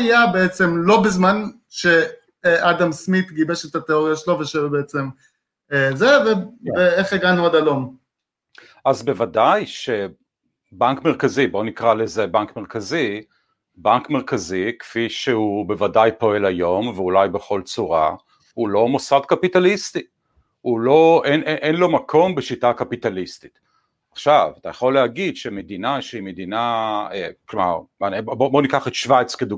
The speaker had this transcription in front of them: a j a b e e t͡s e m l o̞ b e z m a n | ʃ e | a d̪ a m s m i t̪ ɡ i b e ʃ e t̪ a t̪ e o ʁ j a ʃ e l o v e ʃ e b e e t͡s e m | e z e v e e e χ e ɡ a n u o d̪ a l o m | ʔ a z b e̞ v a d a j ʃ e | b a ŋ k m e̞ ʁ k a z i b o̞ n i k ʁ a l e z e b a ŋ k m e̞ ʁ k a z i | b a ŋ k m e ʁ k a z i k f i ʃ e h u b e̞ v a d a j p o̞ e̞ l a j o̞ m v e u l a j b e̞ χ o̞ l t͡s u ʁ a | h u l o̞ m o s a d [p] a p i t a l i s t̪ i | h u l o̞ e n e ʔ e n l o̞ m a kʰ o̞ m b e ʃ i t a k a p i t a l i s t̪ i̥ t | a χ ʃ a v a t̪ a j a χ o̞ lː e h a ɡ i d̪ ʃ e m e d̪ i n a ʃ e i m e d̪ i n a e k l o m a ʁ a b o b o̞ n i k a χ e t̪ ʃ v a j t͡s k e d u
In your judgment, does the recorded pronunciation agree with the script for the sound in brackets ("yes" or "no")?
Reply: no